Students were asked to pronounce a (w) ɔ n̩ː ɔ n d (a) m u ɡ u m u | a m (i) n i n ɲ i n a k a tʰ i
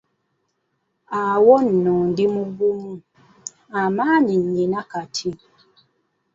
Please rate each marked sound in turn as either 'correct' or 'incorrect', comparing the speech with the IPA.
correct, incorrect: i, incorrect: a

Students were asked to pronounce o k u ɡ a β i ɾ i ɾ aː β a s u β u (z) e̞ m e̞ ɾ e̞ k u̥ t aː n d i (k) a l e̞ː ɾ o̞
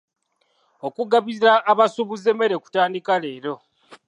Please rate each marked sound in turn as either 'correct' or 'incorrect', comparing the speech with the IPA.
correct, correct

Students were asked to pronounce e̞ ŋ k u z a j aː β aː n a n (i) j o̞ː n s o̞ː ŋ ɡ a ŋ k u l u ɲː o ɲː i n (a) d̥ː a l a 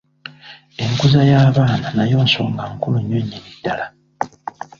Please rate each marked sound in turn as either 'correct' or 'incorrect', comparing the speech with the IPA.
incorrect: a, incorrect: i

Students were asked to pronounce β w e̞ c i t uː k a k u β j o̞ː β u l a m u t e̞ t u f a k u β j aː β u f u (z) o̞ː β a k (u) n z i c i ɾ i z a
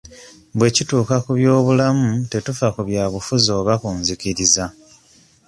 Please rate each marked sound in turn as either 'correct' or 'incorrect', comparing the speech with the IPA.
correct, incorrect: uː

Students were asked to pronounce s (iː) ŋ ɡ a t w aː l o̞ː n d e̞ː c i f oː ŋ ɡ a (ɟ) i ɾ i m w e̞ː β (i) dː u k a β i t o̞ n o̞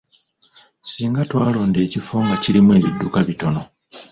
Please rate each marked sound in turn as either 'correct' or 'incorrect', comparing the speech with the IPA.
correct, incorrect: c, correct

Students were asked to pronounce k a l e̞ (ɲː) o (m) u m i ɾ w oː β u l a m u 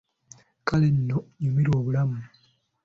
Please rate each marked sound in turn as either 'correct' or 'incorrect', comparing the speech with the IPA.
incorrect: nː, incorrect: ɲ

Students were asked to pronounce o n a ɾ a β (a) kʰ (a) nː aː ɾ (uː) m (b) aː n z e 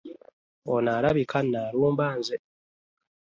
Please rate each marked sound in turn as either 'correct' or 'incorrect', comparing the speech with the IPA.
incorrect: i, correct, correct, correct

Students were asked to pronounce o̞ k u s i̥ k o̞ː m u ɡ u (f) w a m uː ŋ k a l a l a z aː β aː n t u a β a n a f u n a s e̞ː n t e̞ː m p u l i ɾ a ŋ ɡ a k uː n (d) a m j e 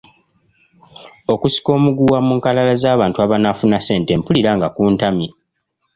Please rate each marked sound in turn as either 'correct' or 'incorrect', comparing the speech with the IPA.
incorrect: none, incorrect: t

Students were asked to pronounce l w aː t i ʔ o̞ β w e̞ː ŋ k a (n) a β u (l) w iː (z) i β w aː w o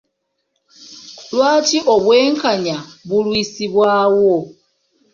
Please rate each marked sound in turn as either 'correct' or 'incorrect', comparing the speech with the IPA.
incorrect: ɲ, correct, incorrect: s

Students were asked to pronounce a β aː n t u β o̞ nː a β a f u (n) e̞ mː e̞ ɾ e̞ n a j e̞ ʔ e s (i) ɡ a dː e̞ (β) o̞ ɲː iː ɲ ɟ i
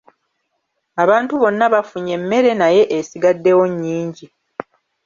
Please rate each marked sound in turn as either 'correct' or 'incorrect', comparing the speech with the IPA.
incorrect: ɲ, correct, incorrect: w

